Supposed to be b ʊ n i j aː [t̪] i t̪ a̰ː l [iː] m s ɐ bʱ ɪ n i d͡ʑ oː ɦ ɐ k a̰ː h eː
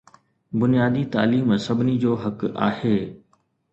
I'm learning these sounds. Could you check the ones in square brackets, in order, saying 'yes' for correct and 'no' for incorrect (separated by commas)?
no, yes